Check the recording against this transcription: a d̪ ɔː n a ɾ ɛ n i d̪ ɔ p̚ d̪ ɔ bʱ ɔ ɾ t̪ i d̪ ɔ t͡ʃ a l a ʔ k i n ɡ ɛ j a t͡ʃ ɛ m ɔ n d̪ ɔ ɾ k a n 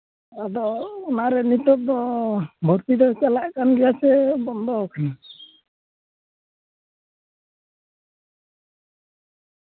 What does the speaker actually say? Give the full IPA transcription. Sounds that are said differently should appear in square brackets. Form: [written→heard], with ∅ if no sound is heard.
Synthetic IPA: a d̪ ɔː n a ɾ ɛ n i [d̪→t̪] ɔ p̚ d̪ ɔ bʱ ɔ ɾ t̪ i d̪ ɔ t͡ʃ a l a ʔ k [i→a] n ɡ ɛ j a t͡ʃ ɛ [m→b] ɔ n d̪ ɔ [ɾ→∅] k a n